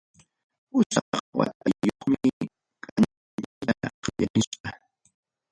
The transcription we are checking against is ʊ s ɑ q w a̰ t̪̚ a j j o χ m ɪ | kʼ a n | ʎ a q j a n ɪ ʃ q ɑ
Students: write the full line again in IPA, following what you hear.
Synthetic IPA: ʊ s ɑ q w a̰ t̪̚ a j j o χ m ɪ | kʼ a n | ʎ a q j a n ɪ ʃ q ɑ